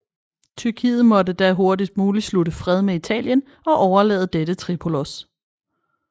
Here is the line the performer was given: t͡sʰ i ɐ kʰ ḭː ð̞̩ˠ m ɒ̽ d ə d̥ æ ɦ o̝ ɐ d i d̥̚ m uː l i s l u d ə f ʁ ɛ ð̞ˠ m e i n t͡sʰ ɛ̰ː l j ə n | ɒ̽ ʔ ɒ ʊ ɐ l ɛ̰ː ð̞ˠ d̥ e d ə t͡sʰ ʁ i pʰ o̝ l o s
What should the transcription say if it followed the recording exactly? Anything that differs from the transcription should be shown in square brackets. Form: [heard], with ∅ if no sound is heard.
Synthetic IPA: t͡sʰ [y] ɐ kʰ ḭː ð̞̩ˠ m ɒ̽ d ə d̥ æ ɦ o̝ ɐ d i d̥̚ m uː l i s l u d ə f ʁ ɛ ð̞ˠ m e i [∅] t͡sʰ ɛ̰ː l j ə n | ɒ̽ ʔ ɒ ʊ ɐ l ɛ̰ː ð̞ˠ d̥ e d ə t͡sʰ ʁ i pʰ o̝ l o s